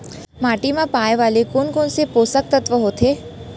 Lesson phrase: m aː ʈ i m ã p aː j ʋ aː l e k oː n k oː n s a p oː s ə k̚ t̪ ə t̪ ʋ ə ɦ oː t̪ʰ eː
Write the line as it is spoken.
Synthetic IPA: m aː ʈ i m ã p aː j ʋ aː l e k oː n k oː n s e p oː s ə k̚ t̪ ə t̪ ʋ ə ɦ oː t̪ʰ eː